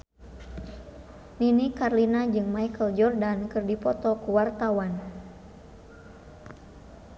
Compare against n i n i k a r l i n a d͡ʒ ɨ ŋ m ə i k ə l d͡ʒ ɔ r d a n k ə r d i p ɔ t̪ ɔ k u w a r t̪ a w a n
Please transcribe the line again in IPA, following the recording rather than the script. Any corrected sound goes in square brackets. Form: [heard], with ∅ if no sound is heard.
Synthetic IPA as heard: n i n i k a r l i n a d͡ʒ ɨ ŋ m [a] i k ə l d͡ʒ ɔ r d a n k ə r d i p ɔ t̪ ɔ k u w a r t̪ a w a n